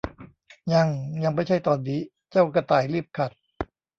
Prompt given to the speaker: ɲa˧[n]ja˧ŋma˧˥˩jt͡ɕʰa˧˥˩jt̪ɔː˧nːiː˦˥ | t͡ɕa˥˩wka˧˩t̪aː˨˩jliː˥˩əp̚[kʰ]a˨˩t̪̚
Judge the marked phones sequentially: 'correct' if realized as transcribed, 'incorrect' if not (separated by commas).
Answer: incorrect, correct